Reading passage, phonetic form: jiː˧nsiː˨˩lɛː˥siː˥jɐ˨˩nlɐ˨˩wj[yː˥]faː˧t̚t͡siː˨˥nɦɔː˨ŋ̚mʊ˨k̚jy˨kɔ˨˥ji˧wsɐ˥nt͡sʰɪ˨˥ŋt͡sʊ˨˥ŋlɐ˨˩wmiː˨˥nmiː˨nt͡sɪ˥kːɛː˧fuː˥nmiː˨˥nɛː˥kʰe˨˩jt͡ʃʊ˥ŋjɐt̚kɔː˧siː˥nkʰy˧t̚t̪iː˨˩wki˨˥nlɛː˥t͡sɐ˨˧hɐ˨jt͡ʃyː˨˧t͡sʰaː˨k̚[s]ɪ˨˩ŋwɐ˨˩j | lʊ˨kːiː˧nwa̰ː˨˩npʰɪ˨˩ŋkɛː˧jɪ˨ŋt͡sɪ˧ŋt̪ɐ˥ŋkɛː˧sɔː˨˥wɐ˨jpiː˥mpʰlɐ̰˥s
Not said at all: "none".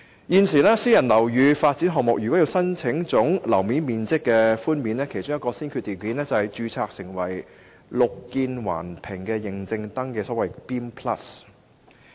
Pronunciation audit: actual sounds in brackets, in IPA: yː˨˧, s

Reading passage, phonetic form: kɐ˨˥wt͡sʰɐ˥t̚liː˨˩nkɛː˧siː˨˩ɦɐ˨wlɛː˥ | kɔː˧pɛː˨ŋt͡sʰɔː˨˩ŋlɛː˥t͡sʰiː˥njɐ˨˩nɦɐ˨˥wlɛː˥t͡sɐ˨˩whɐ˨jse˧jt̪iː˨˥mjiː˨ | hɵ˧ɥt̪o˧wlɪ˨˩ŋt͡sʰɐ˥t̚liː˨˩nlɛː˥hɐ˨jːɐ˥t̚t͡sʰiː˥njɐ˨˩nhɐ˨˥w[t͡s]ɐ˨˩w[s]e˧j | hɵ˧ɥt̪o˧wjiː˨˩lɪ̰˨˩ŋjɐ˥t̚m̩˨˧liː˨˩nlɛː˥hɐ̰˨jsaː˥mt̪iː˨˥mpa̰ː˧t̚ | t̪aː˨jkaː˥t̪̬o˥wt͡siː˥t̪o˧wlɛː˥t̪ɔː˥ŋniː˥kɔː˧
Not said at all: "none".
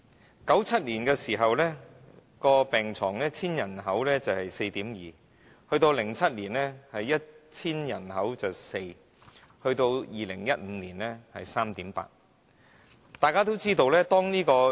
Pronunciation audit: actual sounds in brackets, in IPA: t͡s, s

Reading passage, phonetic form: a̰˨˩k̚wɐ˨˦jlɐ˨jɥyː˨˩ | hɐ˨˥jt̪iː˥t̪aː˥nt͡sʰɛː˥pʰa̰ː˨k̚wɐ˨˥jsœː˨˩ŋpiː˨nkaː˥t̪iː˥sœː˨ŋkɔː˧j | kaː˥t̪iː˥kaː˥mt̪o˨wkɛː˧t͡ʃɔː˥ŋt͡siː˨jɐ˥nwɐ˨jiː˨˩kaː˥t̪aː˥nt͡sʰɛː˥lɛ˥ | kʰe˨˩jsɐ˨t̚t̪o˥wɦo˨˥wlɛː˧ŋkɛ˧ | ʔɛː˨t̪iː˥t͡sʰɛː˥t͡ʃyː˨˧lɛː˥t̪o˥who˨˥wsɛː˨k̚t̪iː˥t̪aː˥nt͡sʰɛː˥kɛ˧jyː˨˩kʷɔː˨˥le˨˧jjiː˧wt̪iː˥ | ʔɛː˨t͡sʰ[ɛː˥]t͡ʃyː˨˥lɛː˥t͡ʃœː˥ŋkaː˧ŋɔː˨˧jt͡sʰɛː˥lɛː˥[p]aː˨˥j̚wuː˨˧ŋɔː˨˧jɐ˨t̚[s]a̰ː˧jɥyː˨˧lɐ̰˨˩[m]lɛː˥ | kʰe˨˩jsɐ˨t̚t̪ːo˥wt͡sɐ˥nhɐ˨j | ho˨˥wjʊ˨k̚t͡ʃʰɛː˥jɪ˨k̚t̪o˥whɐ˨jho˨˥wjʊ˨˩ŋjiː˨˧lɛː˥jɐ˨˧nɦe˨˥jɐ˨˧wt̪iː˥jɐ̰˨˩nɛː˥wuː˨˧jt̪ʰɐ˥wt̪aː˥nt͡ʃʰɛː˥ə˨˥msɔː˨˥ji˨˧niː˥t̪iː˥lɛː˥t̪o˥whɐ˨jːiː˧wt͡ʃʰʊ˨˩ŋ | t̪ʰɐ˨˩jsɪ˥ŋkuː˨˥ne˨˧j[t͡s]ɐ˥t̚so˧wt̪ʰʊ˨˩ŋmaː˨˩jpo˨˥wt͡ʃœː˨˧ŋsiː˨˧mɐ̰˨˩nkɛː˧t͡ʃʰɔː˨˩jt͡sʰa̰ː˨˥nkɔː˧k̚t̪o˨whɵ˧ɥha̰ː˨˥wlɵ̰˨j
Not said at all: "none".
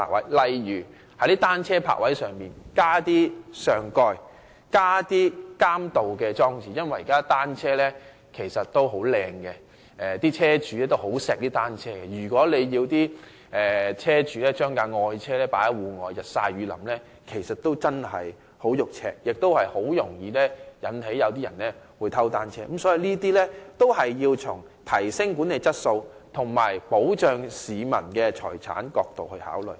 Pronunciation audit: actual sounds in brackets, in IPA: ɛː˥, p, s, m, t͡s

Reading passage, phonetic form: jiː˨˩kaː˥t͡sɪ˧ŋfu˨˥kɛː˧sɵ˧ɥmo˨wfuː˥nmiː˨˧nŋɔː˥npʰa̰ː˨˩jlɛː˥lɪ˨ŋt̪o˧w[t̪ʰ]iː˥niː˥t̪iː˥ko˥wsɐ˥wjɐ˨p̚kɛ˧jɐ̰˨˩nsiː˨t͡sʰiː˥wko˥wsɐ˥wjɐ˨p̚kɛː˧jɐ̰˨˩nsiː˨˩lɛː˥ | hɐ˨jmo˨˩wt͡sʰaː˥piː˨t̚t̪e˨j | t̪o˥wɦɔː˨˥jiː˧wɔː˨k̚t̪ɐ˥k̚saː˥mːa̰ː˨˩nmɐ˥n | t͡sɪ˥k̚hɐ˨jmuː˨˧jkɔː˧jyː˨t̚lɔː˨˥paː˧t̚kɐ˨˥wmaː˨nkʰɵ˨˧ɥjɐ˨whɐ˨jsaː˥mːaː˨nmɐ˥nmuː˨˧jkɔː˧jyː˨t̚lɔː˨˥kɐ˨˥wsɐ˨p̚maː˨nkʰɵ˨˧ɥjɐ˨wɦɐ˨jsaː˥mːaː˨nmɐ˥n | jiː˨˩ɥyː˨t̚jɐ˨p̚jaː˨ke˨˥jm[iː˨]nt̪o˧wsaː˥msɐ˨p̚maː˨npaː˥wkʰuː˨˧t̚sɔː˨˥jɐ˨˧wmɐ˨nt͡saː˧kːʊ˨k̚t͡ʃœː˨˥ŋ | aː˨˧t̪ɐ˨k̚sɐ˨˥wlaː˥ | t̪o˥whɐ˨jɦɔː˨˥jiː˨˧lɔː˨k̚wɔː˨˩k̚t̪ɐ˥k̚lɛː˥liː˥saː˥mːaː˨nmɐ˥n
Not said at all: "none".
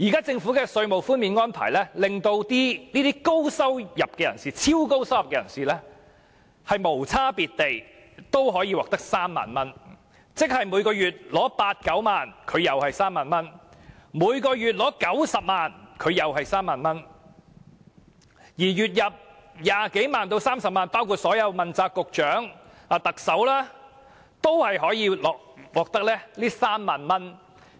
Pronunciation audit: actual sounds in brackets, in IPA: t̪, aː˨

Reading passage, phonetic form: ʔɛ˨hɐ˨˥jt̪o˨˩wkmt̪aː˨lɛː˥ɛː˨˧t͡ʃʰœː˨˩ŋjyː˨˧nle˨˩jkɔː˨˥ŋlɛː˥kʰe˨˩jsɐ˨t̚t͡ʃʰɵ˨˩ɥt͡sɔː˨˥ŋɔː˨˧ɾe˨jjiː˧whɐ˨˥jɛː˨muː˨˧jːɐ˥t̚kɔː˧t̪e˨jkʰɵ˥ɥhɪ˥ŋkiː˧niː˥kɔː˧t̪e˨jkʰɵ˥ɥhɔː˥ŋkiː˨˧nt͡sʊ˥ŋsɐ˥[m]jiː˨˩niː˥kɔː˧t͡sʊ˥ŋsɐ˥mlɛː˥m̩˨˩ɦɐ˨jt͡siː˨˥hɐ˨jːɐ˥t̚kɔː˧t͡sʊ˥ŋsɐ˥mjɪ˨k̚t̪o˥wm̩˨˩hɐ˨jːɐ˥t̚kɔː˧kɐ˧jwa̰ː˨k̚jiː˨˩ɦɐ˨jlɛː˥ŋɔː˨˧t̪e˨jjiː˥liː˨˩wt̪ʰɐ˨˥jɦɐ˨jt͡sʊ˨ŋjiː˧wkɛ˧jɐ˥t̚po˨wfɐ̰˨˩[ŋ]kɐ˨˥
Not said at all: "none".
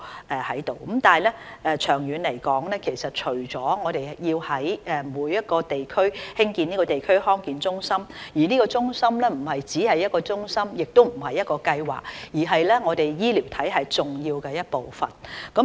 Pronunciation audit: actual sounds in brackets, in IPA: m, n

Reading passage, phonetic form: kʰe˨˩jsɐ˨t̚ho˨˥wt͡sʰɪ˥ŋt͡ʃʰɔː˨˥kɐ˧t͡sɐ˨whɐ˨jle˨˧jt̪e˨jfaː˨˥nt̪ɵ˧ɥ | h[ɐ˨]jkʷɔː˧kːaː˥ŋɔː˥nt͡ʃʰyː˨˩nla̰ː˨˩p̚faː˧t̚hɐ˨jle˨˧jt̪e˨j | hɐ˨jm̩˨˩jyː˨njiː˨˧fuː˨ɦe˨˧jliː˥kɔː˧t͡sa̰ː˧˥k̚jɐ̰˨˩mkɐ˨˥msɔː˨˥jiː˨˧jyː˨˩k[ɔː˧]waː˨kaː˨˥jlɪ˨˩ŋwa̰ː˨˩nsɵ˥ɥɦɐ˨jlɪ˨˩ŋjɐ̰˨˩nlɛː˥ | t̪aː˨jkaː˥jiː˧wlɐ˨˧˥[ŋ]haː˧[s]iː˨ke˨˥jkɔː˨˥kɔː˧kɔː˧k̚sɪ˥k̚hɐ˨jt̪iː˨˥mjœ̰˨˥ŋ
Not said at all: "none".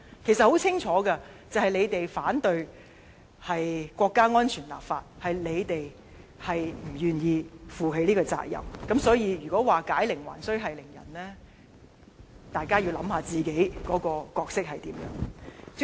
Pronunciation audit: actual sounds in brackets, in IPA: ɐ˨, ɔː˨˥, m, t͡s

